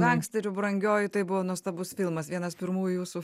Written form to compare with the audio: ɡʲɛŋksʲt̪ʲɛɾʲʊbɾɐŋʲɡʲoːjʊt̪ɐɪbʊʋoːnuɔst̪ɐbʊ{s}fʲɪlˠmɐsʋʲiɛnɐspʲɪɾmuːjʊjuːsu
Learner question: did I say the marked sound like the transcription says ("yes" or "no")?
yes